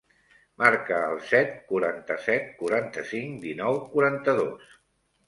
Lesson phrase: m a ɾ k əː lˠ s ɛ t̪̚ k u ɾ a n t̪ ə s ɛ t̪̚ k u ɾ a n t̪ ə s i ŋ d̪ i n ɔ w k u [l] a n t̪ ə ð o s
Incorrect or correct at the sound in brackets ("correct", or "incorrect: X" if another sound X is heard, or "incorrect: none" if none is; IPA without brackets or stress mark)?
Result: incorrect: ɾ